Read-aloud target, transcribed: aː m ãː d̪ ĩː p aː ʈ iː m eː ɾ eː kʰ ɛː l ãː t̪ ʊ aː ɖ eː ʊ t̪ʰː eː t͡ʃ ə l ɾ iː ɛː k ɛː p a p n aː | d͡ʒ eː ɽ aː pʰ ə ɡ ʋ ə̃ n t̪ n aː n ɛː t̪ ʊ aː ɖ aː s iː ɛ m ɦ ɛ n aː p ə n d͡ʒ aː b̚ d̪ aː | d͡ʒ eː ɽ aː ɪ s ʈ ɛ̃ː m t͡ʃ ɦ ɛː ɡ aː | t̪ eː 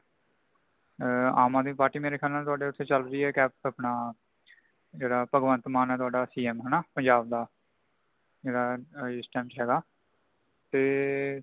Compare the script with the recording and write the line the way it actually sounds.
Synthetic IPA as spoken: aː m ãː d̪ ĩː p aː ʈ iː m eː ɾ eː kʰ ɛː l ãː t̪ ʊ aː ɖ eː ʊ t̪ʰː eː t͡ʃ ə l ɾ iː ɛː k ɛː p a p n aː | d͡ʒ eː ɽ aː p ə ɡ ʋ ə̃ n t̪ m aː n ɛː t̪ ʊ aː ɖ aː s iː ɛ m ɦ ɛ n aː p ə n d͡ʒ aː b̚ d̪ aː | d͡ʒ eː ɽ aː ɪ s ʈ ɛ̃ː m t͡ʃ ɦ ɛː ɡ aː | t̪ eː

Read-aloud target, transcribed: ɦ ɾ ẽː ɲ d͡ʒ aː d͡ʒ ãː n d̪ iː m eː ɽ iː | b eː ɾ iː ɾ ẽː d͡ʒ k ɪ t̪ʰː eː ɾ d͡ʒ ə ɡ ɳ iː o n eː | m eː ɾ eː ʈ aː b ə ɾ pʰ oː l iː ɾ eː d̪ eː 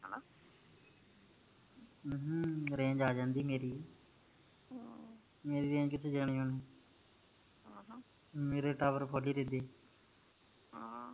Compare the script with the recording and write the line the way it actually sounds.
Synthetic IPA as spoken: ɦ ɾ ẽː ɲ d͡ʒ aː d͡ʒ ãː n d̪ iː m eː ɾ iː | m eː ɾ iː ɾ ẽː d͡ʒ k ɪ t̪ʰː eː d͡ʒ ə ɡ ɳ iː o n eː | m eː ɾ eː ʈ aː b ə ɾ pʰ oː l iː ɾ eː d̪ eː

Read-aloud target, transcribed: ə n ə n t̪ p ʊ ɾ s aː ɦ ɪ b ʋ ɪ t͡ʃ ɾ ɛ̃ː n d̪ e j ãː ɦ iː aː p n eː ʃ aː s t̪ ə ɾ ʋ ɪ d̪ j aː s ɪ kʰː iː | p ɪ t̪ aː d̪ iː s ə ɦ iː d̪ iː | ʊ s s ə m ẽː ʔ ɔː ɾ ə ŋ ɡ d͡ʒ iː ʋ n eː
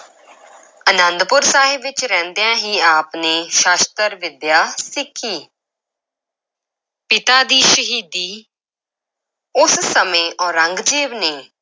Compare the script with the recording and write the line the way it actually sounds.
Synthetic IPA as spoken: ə n ə n d̪ p ʊ ɾ s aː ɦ ɪ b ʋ ɪ t͡ʃ ɾ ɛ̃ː n d̪ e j ãː ɦ iː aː p n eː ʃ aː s t̪ ə ɾ ʋ ɪ d̪ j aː s ɪ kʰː iː | p ɪ t̪ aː d̪ iː ʃ ə ɦ iː d̪ iː | ʊ s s ə m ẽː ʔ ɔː ɾ ə ŋ ɡ d͡ʒ iː ʋ n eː

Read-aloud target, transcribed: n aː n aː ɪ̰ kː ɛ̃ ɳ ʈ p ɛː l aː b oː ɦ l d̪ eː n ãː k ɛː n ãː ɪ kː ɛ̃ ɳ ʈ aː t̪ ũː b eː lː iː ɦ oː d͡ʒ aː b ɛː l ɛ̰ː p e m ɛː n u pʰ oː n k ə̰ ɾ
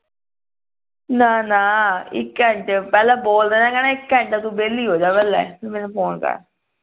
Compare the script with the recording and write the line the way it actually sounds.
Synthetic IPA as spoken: n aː n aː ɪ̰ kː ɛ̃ ɳ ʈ p ɛː l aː b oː l d̪ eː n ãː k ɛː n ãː ɪ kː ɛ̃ ɳ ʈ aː t̪ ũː b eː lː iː ɦ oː d͡ʒ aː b ɛː l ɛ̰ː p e m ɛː n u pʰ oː n k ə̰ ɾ

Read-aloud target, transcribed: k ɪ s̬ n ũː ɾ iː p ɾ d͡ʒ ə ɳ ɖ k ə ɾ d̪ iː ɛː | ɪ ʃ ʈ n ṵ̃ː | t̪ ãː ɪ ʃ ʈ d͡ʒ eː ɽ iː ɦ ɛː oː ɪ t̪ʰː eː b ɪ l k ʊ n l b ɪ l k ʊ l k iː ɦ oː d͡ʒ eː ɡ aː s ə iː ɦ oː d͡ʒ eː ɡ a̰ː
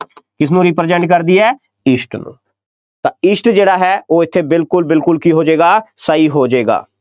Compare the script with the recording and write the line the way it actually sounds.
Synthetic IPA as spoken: k ɪ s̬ n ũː ɾ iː p ɾ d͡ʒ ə ɳ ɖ k ə ɾ d̪ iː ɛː | ɪ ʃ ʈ n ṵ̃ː | t̪ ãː ɪ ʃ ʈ d͡ʒ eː ɽ aː ɦ ɛː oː ɪ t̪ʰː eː b ɪ l k ʊ l b ɪ l k ʊ l k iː ɦ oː d͡ʒ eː ɡ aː s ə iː ɦ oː d͡ʒ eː ɡ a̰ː

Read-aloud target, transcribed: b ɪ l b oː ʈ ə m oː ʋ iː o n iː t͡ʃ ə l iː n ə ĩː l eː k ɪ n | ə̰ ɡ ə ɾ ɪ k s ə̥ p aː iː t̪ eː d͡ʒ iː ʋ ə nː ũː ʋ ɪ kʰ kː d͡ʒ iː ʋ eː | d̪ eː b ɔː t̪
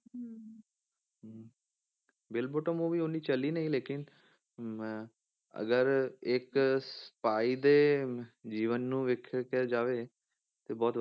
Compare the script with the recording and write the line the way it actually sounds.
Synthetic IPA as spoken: b ɪ l b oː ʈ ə m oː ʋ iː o n iː t͡ʃ ə l iː n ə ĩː l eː k ɪ n | ə̰ ɡ ə ɾ ɪ k s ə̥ p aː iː d̪ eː d͡ʒ iː ʋ ə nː ũː ʋ ɪ kʰ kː d͡ʒ aː ʋ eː | t̪ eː b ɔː t̪

